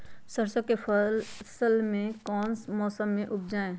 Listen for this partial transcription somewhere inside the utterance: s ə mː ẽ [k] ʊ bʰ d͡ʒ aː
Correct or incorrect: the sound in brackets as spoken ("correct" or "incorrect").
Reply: incorrect